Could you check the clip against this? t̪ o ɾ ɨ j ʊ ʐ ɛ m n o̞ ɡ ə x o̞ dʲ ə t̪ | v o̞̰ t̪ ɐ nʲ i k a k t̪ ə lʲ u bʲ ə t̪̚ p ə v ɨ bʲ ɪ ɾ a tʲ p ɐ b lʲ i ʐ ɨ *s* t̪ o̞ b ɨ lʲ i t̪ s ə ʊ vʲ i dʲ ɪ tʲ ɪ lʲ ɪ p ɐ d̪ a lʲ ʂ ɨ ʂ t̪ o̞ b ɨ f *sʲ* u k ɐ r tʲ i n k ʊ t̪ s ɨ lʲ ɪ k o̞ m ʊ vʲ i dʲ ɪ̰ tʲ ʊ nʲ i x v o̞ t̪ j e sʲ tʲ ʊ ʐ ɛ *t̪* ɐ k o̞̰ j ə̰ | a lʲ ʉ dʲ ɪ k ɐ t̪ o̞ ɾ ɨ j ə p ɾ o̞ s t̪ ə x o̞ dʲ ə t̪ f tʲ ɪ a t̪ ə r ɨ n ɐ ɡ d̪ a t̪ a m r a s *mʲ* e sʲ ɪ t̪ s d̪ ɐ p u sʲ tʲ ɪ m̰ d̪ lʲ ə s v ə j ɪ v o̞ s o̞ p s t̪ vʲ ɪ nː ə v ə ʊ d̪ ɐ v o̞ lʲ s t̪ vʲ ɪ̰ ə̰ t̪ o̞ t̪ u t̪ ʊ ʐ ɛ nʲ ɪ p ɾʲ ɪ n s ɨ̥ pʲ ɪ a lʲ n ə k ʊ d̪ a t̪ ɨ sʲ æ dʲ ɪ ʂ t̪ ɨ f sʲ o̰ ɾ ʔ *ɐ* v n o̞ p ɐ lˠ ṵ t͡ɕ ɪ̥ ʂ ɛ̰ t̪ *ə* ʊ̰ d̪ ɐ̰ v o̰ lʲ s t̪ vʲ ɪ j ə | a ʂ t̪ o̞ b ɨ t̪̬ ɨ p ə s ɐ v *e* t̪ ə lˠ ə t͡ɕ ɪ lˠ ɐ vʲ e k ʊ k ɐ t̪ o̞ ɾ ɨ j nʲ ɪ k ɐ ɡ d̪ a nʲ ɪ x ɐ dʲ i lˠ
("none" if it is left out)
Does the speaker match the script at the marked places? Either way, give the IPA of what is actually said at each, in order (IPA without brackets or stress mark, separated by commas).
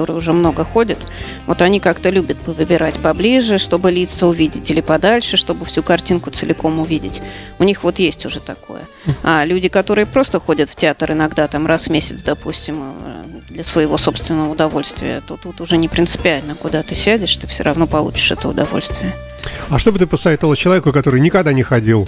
ʂ, sʲ, t̪, mʲ, ɐ, ə, e